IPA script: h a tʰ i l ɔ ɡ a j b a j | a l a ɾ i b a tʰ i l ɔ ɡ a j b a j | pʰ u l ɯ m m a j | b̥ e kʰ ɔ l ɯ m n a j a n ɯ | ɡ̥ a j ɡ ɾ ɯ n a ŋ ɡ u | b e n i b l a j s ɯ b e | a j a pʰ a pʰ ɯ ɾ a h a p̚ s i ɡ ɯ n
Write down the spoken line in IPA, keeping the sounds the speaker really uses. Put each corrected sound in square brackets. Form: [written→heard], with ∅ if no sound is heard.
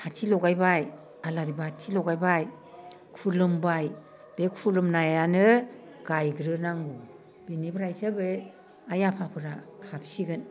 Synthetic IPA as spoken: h a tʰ i l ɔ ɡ a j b a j | a l a ɾ i b a tʰ i l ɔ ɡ a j b a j | [pʰ→kʰ] u l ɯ m [m→b] a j | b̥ e kʰ [ɔ→u] l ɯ m n a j a n ɯ | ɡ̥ a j ɡ ɾ ɯ n a ŋ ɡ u | b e n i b [l→ɾ] a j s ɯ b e | a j a pʰ a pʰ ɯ ɾ a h a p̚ s i ɡ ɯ n